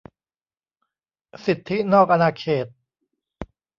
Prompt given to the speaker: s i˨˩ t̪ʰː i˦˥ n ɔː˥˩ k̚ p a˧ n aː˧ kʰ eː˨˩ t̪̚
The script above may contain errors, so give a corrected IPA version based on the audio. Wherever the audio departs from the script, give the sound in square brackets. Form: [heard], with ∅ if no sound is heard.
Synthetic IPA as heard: s i˨˩ t̪ʰː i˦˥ n ɔː˥˩ k̚ [ʔ] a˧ n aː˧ kʰ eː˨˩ t̪̚